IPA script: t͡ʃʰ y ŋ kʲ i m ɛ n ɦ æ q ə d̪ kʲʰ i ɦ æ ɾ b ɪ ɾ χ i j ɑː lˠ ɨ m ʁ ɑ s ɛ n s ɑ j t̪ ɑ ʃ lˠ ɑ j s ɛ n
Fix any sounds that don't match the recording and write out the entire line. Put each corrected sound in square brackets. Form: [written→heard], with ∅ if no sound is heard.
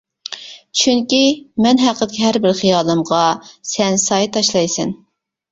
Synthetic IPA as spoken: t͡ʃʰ y ŋ kʲ i m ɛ n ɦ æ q ə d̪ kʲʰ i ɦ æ ɾ b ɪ ɾ χ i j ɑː lˠ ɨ m ʁ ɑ s ɛ n s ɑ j t̪ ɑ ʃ lˠ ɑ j s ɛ n